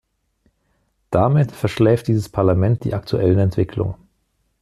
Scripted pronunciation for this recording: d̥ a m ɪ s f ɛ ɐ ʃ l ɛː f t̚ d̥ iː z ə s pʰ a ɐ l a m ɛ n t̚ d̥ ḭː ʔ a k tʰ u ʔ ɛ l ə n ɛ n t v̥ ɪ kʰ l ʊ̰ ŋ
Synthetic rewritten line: d̥ a m ɪ t f ɛ ɐ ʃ l ɛː f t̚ d̥ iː z ə s pʰ a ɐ l a m ɛ n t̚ d̥ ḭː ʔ a k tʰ u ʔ ɛ l ə n ɛ n t v̥ ɪ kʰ l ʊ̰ ŋ